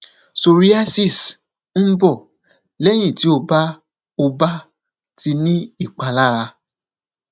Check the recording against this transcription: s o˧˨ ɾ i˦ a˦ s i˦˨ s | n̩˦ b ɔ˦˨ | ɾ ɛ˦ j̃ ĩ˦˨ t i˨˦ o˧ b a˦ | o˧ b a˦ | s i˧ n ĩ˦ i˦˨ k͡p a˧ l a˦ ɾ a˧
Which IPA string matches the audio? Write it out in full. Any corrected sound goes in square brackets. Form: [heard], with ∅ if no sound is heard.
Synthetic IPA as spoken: s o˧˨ ɾ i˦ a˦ s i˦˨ s | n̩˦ b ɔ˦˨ | [l] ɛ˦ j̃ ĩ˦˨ t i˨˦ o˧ b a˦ | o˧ b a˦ | [t] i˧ n ĩ˦ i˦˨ k͡p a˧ l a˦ ɾ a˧